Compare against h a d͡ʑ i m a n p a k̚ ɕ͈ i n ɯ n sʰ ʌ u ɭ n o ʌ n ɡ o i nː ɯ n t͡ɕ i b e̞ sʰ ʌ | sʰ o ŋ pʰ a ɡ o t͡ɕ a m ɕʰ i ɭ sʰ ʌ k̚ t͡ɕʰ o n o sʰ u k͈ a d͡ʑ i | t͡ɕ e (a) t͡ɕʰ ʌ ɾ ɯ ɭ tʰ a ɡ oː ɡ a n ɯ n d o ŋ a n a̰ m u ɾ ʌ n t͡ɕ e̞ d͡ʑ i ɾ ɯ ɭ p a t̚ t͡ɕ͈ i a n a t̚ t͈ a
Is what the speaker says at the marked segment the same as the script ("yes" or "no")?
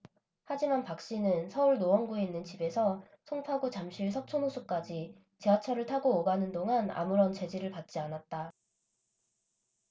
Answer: yes